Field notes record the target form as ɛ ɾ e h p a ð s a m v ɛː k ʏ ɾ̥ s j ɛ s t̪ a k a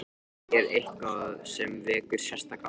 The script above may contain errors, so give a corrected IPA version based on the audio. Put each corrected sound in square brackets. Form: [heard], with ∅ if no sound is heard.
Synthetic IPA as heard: ɛ ɾ e h [k] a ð s [ɛ] m v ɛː k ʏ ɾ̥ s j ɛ s t̪ a k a